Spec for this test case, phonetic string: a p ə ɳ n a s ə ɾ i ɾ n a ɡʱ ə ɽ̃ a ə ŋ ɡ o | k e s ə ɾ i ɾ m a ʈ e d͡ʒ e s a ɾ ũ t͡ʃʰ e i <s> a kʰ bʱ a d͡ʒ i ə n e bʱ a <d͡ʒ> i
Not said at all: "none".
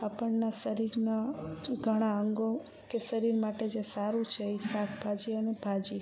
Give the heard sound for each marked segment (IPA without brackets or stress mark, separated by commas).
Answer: s, d͡ʒ